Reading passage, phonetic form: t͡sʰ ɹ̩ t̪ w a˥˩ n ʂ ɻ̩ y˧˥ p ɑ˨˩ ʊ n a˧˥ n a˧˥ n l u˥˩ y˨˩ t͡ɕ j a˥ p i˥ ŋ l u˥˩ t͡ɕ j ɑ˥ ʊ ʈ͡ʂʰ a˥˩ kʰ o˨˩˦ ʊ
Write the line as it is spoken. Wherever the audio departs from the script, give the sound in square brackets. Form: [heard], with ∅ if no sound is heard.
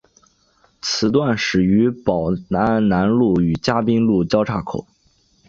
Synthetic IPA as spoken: t͡sʰ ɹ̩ t̪ w a˥˩ n ʂ ɻ̩ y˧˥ p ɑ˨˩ ʊ n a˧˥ n a˧˥ n l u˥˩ y˨˩ t͡ɕ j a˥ p i˥ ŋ l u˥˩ t͡ɕ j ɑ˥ ʊ ʈ͡ʂʰ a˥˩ kʰ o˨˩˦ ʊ